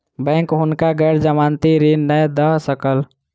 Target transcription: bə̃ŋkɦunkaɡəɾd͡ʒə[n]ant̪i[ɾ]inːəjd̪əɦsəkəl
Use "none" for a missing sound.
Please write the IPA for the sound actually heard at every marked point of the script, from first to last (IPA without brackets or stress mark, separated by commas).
m, ɾ